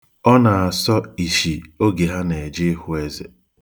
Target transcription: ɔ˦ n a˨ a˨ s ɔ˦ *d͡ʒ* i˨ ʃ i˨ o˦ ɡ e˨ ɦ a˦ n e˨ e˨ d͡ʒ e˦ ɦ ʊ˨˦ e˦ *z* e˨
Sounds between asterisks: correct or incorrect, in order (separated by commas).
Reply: incorrect, correct